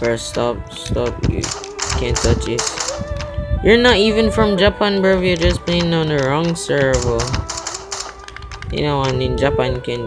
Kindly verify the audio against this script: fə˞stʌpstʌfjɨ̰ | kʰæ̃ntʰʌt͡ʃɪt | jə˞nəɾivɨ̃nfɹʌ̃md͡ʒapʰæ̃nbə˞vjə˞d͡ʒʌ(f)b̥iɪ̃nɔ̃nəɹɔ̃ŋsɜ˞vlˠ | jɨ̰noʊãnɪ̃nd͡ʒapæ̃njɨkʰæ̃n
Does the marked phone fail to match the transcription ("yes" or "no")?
yes